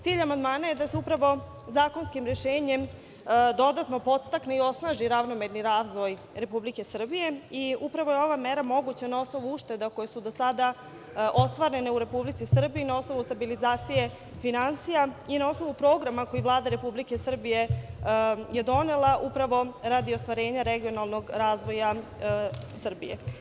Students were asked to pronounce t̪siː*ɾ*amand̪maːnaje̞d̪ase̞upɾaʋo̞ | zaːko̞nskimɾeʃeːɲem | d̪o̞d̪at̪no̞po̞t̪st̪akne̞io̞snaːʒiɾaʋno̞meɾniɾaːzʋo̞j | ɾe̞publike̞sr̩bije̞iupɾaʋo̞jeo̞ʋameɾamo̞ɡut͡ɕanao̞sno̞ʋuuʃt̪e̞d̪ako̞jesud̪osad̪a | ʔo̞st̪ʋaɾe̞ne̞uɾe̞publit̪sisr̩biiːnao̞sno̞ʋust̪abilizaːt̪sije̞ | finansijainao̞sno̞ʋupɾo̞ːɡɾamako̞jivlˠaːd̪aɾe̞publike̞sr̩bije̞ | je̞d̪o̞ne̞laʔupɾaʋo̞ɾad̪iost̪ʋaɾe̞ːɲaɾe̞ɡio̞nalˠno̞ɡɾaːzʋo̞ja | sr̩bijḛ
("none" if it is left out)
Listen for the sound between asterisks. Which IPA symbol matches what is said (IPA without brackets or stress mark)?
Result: ʎ